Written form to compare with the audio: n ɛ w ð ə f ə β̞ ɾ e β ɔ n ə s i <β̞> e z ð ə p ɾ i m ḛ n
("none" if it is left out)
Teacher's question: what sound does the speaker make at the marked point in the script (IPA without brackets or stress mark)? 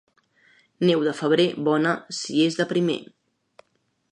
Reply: none